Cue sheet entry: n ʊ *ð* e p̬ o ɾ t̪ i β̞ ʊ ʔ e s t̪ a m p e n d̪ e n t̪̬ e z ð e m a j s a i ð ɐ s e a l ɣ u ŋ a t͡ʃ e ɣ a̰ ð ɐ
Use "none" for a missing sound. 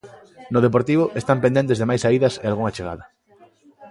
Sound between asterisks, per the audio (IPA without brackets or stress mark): ð